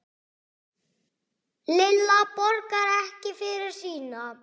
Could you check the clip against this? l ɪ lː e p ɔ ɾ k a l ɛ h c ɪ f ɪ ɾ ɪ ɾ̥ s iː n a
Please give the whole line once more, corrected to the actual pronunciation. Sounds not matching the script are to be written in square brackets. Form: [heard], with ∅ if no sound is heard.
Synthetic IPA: l ɪ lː [a] p ɔ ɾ k a [ɾ] ɛ h c ɪ f ɪ ɾ ɪ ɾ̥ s iː n a

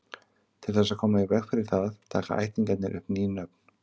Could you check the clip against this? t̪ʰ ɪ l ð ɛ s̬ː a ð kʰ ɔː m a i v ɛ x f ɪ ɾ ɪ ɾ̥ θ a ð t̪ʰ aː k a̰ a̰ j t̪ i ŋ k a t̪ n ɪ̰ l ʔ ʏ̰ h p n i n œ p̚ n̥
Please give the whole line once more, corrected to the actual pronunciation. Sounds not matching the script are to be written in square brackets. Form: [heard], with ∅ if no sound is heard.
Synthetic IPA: t̪ʰ ɪ l [θ] ɛ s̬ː a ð kʰ ɔː m a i v ɛ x f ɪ ɾ ɪ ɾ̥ θ a ð t̪ʰ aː k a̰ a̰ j t̪ i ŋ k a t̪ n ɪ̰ [ɾ] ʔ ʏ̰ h p n i n œ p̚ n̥

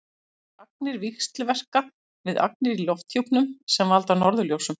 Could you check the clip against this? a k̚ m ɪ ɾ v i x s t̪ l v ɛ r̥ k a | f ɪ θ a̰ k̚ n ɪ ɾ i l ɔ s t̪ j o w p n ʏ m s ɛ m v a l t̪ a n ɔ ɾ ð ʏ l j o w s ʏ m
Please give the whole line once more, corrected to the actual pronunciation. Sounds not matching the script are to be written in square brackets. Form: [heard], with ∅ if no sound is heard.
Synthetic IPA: a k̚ [n] ɪ ɾ v i x s t̪ l v ɛ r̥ k a | [v] ɪ [ð] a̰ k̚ n ɪ ɾ i l ɔ [f] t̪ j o w p n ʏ m s ɛ m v a l t̪ a n ɔ ɾ ð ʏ l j o w s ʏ m

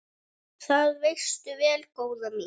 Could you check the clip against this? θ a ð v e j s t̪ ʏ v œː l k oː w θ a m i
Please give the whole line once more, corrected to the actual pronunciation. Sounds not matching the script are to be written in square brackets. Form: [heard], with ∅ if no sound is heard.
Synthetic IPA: θ a ð v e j s t̪ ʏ v [ɛː] l k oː w [ð] a m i

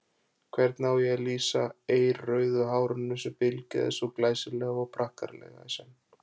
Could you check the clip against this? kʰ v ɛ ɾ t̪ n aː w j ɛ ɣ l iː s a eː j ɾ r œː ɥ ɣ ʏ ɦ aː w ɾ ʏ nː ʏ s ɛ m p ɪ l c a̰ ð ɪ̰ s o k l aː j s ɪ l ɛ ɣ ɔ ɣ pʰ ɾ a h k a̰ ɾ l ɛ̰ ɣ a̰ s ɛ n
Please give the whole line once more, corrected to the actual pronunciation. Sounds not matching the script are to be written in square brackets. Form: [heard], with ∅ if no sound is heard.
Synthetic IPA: kʰ v ɛ ɾ t̪ n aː w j ɛ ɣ l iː s a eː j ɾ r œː ɥ [ð] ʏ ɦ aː w ɾ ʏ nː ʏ s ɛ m p ɪ l c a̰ ð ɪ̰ s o k l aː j s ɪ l ɛ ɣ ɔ ɣ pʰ ɾ a h k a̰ ɾ l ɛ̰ ɣ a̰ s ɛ n

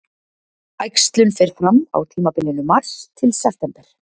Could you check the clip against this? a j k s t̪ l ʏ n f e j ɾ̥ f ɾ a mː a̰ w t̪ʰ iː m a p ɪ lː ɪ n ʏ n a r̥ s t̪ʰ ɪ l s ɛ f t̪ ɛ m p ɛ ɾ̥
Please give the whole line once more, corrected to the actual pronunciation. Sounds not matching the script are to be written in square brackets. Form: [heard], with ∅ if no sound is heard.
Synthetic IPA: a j k s t̪ l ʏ n f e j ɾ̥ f ɾ a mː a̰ w t̪ʰ iː m a p ɪ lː ɪ n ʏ [m] a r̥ s t̪ʰ ɪ l s ɛ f t̪ ɛ m p ɛ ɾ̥

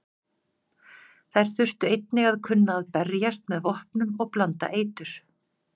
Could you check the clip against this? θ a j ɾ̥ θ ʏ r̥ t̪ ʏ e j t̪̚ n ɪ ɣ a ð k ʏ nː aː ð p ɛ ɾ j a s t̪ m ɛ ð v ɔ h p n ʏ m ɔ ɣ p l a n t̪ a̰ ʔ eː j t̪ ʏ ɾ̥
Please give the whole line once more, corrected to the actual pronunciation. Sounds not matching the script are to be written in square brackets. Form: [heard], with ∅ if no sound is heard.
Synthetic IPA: θ a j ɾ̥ θ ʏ r̥ t̪ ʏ e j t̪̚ n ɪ ɣ a ð [kʰ] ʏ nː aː ð p ɛ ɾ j a s t̪ m ɛ ð v ɔ h p n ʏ m ɔ ɣ p l a n t̪ a̰ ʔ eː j t̪ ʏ ɾ̥

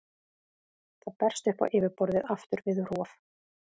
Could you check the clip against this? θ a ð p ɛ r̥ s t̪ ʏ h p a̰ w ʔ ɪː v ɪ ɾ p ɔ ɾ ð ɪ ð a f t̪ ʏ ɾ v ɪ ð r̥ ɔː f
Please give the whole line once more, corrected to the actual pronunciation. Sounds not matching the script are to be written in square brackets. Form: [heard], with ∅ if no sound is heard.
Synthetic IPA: θ a ð p ɛ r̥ s t̪ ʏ h p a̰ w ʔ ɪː v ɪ ɾ p ɔ ɾ ð ɪ ð a f t̪ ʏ ɾ v ɪ ð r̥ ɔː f

